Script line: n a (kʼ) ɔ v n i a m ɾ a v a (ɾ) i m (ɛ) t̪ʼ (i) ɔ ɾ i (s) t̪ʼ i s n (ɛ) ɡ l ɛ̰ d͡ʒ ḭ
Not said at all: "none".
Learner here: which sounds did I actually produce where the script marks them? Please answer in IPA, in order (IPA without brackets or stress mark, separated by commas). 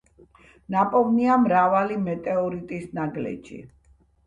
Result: pʼ, l, ɛ, ɛ, none, a